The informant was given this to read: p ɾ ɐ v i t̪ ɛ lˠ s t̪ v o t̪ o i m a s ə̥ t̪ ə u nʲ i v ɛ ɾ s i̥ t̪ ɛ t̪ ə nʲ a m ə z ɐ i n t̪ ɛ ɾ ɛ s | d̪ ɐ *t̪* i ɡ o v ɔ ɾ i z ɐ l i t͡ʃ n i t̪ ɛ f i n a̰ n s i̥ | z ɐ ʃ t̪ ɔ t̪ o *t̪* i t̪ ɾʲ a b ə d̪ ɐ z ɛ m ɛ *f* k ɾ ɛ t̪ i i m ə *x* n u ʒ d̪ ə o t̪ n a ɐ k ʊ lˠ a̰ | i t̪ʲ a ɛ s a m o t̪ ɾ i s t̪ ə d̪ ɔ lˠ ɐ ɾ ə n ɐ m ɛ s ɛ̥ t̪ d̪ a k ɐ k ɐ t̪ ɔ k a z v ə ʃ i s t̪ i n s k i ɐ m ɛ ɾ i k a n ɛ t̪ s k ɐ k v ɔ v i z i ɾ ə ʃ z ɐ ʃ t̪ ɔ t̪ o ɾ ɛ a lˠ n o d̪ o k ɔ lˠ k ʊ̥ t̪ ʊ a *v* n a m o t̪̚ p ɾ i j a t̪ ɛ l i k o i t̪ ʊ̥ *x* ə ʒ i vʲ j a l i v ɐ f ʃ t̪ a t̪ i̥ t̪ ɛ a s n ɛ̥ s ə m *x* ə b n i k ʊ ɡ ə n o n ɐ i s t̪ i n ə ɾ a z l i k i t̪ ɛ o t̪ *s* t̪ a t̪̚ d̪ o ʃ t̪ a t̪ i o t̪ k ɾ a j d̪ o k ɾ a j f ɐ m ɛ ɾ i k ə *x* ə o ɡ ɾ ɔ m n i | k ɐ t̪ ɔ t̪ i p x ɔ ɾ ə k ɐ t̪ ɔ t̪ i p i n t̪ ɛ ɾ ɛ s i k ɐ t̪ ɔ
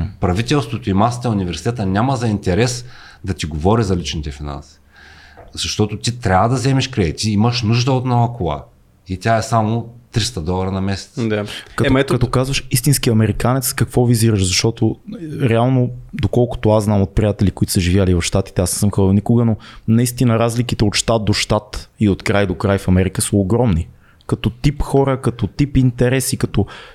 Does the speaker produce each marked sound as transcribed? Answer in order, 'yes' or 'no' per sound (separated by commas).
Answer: yes, yes, no, no, no, no, yes, no, no